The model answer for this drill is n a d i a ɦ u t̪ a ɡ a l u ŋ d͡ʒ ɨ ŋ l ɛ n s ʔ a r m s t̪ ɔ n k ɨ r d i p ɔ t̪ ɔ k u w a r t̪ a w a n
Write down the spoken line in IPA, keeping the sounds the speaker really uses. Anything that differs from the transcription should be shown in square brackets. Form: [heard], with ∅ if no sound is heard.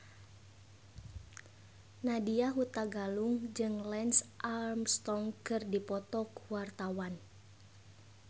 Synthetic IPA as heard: n a d i a ɦ u t̪ a ɡ a l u ŋ d͡ʒ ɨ ŋ l ɛ n s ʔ a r m s t̪ ɔ [ŋ] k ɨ r d i p ɔ t̪ ɔ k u w a r t̪ a w a n